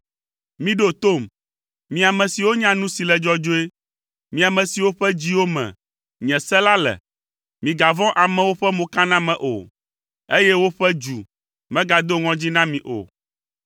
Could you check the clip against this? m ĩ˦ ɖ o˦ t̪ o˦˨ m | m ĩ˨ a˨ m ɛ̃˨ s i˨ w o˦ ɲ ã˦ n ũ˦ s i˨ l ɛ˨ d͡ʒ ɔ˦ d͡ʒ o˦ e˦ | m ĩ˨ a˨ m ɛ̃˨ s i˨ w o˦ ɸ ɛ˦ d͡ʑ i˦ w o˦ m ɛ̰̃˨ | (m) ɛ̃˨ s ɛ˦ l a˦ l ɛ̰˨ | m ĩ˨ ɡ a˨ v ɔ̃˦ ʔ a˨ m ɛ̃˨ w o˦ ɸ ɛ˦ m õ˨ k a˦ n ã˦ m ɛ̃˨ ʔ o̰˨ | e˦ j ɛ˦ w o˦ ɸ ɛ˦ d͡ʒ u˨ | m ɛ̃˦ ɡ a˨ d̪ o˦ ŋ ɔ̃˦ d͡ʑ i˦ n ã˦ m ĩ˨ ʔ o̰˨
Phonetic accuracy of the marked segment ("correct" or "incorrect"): incorrect